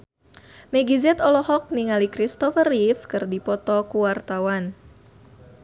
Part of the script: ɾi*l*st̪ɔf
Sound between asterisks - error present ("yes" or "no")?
yes